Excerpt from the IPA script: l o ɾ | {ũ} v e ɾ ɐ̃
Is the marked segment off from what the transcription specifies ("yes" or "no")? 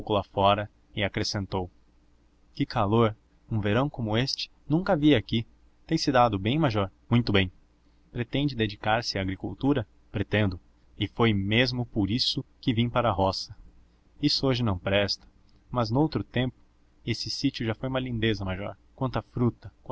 no